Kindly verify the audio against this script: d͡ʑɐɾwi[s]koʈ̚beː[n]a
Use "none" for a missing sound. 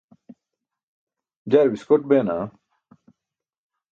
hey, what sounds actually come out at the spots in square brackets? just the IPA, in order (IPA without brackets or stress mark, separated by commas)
s, n